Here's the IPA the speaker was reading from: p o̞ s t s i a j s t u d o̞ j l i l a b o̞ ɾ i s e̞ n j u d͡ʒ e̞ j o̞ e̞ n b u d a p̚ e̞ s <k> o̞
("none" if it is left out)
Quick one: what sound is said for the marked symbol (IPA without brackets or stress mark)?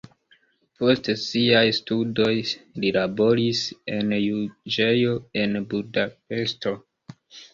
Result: t